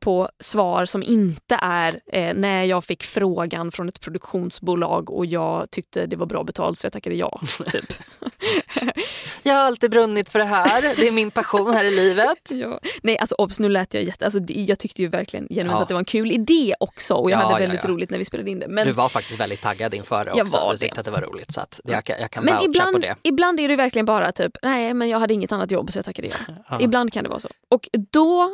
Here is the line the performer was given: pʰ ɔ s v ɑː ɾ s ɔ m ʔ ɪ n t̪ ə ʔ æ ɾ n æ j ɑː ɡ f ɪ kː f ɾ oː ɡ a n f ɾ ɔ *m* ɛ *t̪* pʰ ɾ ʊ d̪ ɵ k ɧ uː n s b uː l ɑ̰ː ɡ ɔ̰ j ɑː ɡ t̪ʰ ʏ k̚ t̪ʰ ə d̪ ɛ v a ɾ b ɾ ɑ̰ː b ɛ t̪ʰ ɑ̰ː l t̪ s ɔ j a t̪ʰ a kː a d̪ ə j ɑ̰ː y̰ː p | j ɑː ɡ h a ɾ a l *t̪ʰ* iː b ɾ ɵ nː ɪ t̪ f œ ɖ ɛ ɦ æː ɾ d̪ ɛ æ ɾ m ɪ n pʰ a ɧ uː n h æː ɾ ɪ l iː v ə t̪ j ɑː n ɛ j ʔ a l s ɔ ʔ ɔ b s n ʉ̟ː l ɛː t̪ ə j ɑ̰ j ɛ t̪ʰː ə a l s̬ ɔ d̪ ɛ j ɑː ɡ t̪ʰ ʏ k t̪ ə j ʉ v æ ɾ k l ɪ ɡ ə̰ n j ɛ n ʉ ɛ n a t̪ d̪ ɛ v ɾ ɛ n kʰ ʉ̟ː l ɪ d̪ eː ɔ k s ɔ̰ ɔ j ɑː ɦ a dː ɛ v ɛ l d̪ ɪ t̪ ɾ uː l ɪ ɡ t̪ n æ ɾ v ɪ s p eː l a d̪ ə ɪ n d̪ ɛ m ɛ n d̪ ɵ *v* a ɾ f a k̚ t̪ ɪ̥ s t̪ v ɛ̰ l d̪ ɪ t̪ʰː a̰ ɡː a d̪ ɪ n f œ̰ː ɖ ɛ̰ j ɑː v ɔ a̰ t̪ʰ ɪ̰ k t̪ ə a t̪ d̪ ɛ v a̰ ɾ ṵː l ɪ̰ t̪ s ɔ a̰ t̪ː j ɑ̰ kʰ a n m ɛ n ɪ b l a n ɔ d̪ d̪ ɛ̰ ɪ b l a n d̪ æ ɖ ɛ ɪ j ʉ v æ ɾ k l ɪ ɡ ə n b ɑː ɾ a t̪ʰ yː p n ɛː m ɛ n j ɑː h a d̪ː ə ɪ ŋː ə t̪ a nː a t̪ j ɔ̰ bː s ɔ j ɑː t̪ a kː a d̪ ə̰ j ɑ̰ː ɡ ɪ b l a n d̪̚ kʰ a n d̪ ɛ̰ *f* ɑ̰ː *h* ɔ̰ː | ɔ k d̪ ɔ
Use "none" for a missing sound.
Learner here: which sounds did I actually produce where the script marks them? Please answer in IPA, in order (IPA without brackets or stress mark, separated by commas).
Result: n, t̪, t̪, v, v, s